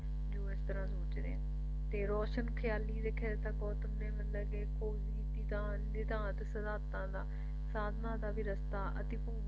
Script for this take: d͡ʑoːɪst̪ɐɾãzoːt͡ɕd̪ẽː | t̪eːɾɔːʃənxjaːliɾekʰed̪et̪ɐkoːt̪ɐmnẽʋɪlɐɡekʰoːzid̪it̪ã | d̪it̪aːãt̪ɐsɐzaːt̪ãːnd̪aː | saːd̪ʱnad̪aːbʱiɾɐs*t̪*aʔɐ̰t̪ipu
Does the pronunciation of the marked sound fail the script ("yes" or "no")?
no